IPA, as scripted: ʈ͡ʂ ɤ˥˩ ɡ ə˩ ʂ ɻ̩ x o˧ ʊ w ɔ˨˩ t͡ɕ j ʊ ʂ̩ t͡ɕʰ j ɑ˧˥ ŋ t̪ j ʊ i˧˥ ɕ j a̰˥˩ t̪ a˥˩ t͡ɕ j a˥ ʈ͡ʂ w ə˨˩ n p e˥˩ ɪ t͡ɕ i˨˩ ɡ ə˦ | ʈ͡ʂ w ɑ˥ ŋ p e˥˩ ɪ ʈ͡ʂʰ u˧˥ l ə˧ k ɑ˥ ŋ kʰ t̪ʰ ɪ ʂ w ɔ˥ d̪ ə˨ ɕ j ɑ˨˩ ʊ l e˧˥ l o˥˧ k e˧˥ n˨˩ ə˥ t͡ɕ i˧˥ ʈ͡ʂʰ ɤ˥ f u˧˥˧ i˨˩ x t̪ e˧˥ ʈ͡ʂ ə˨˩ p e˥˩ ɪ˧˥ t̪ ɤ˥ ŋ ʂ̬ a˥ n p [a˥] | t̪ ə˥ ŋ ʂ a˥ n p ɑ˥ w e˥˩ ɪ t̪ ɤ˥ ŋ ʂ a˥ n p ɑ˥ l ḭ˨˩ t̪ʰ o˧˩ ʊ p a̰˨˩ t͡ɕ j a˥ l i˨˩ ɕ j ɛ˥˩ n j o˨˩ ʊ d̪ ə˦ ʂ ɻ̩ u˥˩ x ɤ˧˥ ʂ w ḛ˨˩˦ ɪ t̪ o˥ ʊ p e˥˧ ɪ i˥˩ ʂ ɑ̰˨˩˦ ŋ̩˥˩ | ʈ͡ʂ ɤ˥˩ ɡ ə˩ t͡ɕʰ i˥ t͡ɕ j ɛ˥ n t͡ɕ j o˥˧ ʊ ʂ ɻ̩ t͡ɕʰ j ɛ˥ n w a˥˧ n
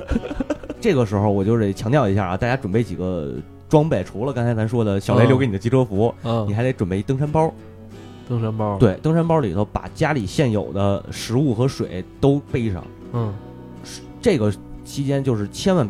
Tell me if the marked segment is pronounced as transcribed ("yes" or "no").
no